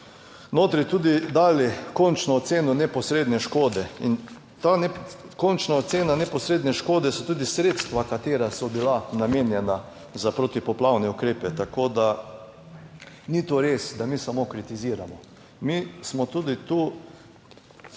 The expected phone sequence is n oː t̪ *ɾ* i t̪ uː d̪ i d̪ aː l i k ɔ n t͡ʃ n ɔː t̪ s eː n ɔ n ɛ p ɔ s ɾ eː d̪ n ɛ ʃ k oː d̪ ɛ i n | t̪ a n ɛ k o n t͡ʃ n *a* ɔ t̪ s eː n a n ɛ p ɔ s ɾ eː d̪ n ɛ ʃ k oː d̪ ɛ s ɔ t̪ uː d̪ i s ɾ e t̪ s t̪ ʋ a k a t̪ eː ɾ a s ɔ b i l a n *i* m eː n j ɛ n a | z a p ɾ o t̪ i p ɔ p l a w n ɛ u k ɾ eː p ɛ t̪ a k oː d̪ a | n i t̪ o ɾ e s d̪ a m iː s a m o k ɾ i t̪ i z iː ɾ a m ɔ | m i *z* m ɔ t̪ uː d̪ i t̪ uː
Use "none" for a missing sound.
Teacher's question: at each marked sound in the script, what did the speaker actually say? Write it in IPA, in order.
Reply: ɾ, a, a, s

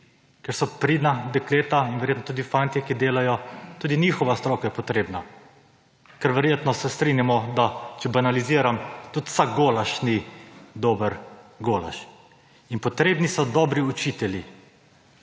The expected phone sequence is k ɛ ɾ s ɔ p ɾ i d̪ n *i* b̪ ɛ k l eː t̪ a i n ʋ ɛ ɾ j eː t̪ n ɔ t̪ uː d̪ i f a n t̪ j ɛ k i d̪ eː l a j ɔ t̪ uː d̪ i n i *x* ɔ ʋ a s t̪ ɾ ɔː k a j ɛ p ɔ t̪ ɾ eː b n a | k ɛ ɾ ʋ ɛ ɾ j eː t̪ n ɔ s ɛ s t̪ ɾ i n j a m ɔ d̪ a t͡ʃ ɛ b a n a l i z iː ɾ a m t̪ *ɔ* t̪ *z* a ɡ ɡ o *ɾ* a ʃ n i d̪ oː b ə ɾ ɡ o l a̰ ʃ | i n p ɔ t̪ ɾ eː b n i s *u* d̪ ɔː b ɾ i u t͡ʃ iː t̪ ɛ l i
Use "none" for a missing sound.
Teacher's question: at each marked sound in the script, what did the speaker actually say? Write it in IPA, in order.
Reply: a, x, u, s, l, ɔ

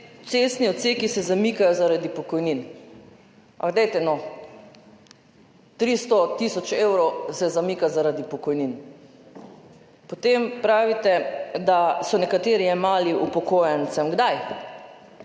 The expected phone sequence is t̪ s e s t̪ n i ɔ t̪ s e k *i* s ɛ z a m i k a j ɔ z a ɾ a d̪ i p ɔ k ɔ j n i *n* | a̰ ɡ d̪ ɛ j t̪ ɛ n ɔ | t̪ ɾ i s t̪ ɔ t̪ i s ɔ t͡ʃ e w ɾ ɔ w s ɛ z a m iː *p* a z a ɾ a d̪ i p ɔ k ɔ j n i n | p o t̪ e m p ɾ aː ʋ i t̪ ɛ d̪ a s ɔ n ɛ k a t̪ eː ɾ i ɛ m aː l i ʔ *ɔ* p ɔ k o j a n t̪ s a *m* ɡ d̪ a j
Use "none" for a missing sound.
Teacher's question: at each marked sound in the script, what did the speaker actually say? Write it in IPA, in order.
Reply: i, n, k, u, m

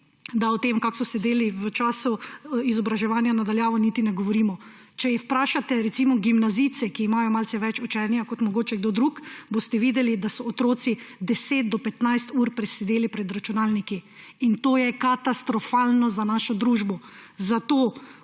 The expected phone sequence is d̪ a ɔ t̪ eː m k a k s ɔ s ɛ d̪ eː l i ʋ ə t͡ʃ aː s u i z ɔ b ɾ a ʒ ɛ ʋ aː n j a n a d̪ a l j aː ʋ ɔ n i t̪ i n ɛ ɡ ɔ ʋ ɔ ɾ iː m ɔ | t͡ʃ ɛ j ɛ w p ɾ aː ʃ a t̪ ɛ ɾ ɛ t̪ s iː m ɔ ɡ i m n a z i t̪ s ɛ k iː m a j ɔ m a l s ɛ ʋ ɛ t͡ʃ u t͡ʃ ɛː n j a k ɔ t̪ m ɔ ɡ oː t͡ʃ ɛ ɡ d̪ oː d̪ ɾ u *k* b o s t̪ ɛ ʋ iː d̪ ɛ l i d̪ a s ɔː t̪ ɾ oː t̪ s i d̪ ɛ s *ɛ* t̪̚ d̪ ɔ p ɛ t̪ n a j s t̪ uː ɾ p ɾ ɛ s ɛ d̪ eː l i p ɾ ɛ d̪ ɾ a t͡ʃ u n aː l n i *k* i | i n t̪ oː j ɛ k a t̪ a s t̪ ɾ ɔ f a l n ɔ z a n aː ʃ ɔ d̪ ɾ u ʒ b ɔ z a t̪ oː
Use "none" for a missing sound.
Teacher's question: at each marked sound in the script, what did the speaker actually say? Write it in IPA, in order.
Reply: k, e, k

